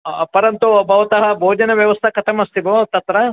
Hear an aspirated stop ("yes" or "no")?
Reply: yes